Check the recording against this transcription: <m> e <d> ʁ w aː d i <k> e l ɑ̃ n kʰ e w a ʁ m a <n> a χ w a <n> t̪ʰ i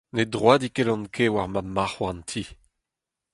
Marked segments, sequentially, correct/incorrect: incorrect, correct, correct, incorrect, correct

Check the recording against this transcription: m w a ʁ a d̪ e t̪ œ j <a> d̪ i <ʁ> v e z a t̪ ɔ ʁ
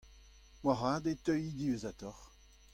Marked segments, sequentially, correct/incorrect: incorrect, incorrect

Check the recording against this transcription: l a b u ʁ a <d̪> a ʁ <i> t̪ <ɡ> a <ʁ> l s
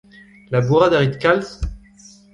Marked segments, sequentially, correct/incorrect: correct, correct, incorrect, incorrect

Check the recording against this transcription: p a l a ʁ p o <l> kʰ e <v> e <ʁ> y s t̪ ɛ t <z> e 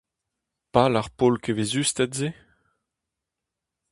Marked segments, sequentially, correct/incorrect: correct, correct, incorrect, correct

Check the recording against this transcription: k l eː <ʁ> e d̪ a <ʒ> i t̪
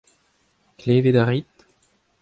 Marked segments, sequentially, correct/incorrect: incorrect, incorrect

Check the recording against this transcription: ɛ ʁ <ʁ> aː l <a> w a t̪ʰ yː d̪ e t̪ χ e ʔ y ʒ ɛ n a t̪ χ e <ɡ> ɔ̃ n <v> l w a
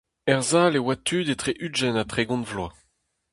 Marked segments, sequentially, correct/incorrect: incorrect, incorrect, correct, correct

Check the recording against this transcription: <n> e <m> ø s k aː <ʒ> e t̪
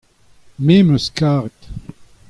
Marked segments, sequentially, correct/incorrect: incorrect, correct, incorrect

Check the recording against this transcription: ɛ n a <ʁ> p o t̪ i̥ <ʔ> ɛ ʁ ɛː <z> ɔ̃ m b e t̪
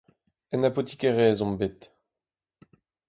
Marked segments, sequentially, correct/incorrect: incorrect, incorrect, correct

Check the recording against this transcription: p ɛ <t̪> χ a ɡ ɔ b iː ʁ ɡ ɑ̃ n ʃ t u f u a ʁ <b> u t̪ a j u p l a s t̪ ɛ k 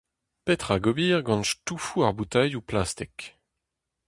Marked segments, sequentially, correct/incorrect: correct, correct

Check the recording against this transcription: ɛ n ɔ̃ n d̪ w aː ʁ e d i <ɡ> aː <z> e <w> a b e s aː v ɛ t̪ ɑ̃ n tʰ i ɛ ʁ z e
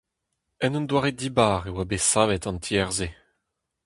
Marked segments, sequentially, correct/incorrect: incorrect, incorrect, correct

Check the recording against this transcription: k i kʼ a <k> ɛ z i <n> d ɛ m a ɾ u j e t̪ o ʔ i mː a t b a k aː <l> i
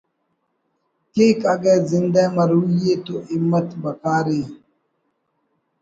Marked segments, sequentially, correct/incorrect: incorrect, correct, incorrect

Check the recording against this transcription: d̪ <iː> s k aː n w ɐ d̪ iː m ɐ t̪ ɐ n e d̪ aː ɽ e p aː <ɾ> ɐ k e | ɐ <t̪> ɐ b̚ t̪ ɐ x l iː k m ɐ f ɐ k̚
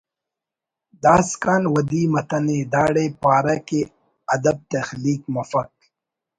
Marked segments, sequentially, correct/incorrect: incorrect, correct, incorrect

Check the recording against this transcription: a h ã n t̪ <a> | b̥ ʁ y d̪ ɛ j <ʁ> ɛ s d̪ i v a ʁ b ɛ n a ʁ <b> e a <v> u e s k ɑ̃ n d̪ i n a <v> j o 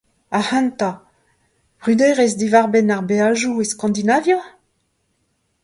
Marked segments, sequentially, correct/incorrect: correct, correct, correct, incorrect, correct

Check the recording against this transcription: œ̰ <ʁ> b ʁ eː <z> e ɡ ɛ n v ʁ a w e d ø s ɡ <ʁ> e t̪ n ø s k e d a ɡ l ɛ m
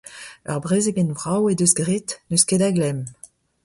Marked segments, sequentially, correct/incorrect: correct, correct, correct

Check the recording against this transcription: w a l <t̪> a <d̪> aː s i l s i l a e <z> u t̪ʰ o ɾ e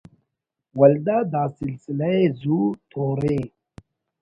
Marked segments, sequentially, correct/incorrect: incorrect, correct, correct

